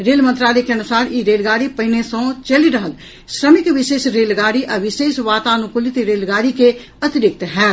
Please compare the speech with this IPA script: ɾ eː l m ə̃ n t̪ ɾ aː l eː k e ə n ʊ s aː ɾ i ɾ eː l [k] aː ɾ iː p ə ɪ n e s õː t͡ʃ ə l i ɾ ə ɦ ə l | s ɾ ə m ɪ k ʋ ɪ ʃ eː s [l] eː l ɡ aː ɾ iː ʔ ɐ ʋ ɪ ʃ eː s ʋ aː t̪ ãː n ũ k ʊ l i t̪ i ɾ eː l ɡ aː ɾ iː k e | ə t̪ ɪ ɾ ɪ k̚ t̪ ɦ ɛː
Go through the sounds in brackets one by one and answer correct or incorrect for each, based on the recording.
incorrect: ɡ, incorrect: ɾ

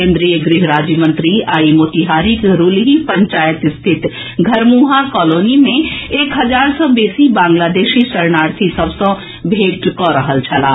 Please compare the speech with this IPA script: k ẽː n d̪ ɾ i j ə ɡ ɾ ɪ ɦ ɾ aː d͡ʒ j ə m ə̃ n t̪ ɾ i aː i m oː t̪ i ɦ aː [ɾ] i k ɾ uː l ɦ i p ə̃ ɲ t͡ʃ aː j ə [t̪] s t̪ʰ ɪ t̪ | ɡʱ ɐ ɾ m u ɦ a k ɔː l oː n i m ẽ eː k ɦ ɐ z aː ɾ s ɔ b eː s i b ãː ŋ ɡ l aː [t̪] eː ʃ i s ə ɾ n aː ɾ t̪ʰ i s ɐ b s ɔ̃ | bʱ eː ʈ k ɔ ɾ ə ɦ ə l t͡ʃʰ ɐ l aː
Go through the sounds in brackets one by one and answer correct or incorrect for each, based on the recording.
correct, correct, incorrect: d̪

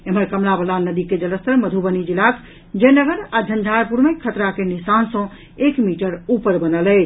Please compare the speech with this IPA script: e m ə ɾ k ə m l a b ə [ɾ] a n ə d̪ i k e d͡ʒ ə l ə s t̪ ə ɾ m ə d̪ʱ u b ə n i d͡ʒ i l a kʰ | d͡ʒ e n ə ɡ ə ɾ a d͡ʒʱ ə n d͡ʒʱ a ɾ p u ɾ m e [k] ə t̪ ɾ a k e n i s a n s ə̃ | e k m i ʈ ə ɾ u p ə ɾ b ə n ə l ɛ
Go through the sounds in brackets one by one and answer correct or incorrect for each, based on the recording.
incorrect: l, incorrect: kʰ

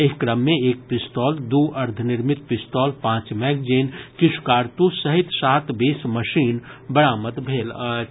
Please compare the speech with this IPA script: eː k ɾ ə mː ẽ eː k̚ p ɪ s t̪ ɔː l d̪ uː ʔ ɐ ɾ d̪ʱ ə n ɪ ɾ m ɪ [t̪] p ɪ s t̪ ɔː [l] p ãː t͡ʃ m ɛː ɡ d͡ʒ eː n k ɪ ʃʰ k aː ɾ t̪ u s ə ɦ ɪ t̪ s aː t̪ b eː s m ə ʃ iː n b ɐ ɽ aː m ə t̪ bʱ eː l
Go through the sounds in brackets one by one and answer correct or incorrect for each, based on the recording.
correct, correct

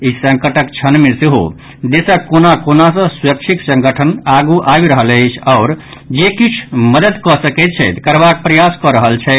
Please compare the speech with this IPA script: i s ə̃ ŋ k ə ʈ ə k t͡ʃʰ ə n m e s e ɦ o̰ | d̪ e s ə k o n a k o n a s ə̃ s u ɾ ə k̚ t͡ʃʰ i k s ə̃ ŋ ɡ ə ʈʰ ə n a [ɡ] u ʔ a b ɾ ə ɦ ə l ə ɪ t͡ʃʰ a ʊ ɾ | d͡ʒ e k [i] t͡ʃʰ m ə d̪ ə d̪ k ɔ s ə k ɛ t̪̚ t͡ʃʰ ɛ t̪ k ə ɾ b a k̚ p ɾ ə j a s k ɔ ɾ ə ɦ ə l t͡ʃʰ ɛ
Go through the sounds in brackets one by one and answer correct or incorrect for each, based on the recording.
correct, correct

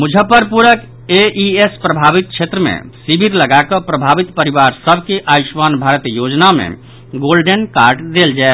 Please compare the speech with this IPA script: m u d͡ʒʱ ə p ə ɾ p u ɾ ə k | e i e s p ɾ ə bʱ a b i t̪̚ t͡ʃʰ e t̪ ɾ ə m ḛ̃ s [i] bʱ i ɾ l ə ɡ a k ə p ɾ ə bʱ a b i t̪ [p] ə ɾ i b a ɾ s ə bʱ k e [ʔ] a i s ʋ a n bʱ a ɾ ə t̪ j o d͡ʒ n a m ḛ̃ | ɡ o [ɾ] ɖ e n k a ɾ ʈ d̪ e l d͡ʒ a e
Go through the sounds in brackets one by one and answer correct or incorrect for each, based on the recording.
correct, correct, correct, incorrect: l

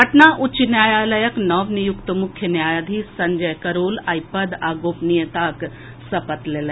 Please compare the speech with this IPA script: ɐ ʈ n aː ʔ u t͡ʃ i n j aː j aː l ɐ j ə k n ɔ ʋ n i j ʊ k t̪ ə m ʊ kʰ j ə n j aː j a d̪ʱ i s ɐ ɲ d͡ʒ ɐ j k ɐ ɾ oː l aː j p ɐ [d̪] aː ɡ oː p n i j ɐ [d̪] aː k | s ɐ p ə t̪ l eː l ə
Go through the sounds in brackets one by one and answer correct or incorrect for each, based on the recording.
correct, incorrect: t̪

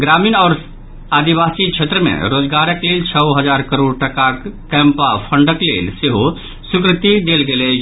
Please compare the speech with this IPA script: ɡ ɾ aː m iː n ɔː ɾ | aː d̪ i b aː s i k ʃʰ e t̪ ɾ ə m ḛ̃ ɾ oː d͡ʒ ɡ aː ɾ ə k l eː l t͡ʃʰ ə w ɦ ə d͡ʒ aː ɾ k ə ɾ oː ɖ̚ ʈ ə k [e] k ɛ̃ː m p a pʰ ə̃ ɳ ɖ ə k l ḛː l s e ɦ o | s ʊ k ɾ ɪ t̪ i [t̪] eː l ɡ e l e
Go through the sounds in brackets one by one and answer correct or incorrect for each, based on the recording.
incorrect: a, incorrect: d̪

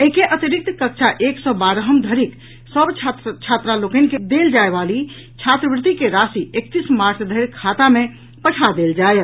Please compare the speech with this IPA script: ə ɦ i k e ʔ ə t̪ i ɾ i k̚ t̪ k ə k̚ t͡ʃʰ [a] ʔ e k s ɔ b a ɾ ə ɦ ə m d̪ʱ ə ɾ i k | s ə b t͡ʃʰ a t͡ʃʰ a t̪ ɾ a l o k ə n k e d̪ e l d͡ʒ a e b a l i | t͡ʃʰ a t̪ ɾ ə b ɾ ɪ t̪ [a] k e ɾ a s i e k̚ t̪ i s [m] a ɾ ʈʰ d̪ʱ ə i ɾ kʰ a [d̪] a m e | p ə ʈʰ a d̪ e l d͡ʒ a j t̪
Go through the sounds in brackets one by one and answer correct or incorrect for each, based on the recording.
correct, incorrect: i, correct, incorrect: t̪

